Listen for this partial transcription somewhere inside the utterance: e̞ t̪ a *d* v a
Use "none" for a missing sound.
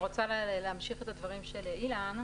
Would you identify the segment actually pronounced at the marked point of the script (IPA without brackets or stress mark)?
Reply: d